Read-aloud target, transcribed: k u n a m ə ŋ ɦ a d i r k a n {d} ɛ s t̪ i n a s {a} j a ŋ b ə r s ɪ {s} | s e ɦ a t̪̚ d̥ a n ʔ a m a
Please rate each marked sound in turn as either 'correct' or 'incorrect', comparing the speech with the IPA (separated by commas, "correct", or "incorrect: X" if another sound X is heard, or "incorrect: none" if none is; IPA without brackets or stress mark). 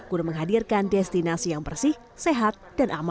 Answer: correct, incorrect: i, incorrect: h